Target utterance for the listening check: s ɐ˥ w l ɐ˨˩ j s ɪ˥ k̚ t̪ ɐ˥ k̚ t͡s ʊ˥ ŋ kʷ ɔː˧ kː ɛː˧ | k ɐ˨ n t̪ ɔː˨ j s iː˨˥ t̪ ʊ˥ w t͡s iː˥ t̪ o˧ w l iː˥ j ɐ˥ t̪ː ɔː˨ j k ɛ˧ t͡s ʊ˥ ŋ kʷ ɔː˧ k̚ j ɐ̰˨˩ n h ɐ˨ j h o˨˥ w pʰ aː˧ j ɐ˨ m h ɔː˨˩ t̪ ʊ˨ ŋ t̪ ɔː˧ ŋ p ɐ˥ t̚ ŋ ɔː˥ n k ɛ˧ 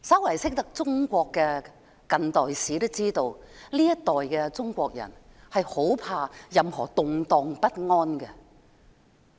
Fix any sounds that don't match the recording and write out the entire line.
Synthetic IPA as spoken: s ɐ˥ w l ɐ˨˩ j s ɪ˥ k̚ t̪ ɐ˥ k̚ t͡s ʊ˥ ŋ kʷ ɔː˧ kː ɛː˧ | k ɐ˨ n t̪ ɔː˨ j s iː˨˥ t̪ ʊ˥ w t͡s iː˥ t̪ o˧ w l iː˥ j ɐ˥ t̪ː ɔː˨ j k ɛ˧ t͡s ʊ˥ ŋ kʷ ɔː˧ k̚ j ɐ̰˨˩ n h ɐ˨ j h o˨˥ w pʰ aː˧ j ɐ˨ m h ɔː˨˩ t̪ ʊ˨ ŋ t̪ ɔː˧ ŋ p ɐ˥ t̚ ŋ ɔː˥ n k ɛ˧